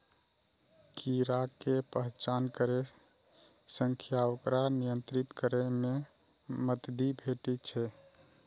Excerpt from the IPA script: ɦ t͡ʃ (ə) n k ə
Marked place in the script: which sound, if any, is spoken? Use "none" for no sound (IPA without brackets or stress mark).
a